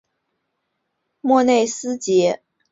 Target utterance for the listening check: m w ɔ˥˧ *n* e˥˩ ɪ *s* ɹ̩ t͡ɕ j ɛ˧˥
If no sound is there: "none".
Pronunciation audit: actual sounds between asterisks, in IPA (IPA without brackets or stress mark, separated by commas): n, s